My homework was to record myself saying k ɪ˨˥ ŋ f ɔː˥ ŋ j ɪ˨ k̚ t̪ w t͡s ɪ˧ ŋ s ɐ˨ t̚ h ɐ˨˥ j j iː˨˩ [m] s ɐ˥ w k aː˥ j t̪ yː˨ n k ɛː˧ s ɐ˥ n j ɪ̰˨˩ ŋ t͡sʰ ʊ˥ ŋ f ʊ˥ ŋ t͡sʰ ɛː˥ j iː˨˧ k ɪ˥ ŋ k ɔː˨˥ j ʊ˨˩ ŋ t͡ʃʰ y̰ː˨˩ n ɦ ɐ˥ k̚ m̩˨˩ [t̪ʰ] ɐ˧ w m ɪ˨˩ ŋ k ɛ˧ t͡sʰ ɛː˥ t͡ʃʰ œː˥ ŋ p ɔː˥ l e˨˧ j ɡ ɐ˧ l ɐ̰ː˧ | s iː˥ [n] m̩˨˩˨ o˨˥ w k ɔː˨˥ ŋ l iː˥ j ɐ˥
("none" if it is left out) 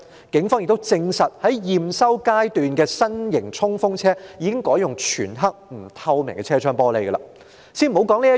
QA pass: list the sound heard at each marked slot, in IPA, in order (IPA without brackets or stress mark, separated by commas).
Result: m, t̪ʰ, n